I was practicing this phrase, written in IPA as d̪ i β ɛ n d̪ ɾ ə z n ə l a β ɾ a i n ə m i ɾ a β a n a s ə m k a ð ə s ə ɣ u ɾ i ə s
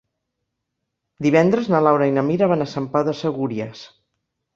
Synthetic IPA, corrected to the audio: d̪ i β ɛ n d̪ ɾ ə z n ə l a w ɾ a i n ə m i ɾ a β a n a s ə m p a ð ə s ə ɣ u ɾ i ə s